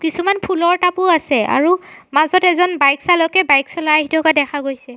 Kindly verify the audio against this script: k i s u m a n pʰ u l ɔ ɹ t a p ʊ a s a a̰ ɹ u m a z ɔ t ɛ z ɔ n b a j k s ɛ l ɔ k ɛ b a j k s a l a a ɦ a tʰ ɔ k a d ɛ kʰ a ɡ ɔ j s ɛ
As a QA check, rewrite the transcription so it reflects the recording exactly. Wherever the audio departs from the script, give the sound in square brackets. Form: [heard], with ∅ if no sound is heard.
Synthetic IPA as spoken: k i s u m a n pʰ u l ɔ ɹ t a p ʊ a s [ɛ] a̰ ɹ u m a z ɔ t ɛ z ɔ n b a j k s [a] l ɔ k ɛ b a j k s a l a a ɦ [i] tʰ ɔ k a d ɛ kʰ a ɡ [o] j s ɛ